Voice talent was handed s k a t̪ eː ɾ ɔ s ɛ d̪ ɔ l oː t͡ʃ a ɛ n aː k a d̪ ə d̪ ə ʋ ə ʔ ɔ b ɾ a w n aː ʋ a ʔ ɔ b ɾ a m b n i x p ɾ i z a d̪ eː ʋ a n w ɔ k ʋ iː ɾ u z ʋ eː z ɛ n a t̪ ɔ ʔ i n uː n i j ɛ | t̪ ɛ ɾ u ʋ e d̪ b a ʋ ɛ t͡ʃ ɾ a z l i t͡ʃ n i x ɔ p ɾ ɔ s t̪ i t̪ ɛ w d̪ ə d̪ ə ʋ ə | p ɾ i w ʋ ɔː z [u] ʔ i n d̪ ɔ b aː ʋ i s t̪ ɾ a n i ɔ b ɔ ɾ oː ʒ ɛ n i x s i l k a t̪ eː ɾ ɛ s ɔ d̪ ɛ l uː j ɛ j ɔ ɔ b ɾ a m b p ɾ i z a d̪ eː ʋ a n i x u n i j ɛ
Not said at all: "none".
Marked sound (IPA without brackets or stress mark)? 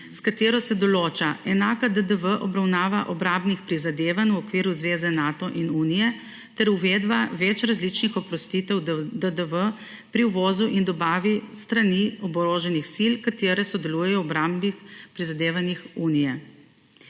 u